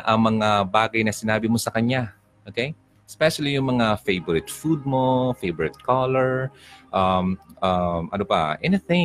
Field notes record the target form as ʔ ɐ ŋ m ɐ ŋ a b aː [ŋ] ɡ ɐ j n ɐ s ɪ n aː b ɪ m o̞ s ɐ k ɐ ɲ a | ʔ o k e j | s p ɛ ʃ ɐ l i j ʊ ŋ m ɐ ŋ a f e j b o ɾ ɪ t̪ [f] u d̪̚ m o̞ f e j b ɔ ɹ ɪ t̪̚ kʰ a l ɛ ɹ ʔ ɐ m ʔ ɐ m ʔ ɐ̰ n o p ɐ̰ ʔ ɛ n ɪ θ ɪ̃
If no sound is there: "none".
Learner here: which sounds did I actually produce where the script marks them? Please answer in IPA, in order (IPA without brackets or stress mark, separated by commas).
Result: none, f